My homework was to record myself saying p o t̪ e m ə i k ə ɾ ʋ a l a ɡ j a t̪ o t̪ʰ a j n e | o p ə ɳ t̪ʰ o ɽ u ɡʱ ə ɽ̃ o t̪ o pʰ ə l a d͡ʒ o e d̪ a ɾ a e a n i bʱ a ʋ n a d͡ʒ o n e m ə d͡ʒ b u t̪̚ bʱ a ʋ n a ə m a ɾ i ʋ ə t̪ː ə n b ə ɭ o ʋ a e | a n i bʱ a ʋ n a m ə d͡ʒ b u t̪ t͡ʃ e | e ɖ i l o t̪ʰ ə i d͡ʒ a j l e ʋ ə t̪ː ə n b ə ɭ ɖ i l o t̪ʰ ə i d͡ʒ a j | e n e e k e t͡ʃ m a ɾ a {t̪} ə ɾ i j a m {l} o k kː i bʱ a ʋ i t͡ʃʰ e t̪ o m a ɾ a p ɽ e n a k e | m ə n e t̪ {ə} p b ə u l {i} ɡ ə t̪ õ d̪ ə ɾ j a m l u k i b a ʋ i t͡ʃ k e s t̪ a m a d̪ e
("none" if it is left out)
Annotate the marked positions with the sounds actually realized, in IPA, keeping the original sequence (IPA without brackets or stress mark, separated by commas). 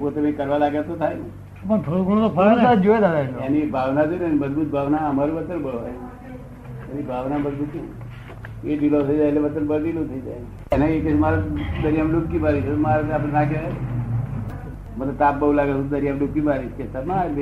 d̪, l, a, a